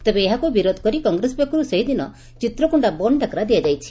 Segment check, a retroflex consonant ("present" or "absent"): present